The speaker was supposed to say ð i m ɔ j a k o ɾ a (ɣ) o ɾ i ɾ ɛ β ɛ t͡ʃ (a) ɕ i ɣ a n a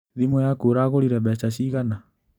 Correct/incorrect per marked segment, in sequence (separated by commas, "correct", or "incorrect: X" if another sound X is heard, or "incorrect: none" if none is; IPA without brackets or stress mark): correct, correct